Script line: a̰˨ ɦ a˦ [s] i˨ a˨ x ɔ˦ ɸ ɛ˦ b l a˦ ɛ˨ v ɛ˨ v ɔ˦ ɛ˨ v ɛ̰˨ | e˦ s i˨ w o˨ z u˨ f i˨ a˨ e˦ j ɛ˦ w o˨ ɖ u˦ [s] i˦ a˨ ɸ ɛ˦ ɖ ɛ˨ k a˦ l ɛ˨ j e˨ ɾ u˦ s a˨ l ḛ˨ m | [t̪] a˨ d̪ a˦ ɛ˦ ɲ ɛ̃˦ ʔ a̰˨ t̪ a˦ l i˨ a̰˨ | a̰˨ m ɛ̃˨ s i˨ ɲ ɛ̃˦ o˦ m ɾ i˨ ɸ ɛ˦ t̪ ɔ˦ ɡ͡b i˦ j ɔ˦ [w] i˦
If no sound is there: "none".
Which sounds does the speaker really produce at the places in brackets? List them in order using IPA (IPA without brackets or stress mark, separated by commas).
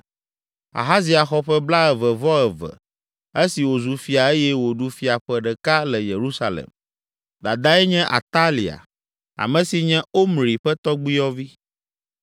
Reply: z, f, d̪, v